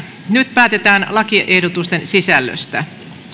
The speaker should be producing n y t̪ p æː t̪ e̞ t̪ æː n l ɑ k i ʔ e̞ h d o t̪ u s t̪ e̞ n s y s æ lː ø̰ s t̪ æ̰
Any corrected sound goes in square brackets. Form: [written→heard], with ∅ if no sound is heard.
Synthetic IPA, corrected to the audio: n y t̪ p æː t̪ e̞ t̪ æː n l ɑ k i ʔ e̞ h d o t̪ u s t̪ e̞ n s [y→i] s æ lː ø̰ s t̪ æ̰